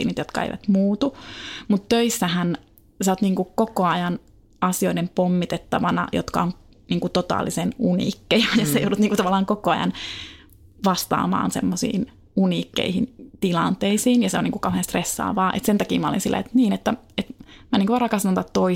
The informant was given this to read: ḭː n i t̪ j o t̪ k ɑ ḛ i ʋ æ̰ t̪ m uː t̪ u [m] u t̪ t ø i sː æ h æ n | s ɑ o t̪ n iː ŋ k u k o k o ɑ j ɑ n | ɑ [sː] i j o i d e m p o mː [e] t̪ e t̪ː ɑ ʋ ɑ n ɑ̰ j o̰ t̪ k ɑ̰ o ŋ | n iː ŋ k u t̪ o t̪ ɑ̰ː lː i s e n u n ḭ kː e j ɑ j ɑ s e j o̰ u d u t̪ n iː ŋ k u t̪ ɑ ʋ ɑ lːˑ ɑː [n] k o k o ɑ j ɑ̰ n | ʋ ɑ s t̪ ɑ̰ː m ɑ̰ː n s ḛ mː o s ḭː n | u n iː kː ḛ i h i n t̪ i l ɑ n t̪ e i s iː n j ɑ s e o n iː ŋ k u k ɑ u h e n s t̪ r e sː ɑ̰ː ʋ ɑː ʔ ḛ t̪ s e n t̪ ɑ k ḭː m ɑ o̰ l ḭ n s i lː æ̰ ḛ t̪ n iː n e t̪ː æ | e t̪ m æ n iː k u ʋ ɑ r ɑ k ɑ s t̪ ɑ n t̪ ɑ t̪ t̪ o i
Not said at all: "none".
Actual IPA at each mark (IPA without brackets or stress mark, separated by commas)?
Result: m, s, i, ŋ